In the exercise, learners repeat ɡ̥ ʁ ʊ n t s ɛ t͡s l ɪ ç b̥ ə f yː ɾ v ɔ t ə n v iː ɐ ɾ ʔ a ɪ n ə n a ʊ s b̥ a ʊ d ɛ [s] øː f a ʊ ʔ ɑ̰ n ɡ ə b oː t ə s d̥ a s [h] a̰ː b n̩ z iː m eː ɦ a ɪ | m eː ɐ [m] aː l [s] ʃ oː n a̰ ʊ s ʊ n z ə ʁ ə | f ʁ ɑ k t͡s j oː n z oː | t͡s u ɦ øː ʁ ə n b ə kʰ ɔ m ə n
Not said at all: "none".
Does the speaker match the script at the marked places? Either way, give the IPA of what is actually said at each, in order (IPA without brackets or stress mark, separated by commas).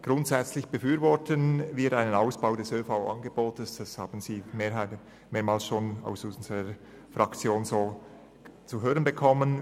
s, h, m, s